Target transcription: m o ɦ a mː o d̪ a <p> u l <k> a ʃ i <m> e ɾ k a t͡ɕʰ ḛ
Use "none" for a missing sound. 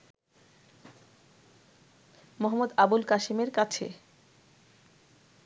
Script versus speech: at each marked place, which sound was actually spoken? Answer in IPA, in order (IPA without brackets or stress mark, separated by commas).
b, k, m